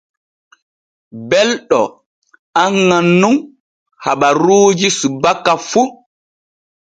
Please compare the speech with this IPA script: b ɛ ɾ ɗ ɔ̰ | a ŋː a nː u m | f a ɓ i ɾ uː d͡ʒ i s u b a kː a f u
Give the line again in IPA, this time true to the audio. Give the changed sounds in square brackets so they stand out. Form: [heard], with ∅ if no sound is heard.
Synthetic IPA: b ɛ [l] ɗ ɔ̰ | a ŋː a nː u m | [h] a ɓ [a] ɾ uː d͡ʒ i s u b a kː a f u